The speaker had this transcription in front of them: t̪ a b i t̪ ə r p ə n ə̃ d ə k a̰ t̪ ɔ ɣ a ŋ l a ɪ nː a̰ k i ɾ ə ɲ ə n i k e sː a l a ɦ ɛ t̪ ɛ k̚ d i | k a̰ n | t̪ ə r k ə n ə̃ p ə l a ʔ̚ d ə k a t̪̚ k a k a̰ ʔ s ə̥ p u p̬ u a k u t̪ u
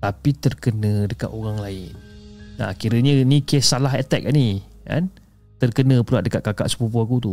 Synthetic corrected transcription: t̪ a p i t̪ ə r k ə n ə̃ d ə k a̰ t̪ o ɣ a ŋ l a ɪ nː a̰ k i ɾ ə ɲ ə n i k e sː a l a ɦ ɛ t̪ ɛ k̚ n i | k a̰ n | t̪ ə r k ə n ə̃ p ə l a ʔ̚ d ə k a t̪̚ k a k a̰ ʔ s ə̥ p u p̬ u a k u t̪ u